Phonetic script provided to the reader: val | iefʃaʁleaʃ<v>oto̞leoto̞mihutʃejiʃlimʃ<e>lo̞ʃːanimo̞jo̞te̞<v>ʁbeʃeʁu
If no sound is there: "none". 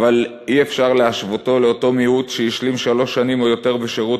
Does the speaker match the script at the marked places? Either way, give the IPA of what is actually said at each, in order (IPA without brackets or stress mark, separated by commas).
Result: v, a, none